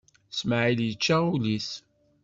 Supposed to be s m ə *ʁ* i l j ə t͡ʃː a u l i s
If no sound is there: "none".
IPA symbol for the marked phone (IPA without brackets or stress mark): ʕ